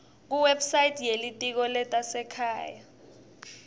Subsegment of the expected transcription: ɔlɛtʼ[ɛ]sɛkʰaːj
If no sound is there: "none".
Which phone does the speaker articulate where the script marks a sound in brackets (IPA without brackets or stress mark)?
a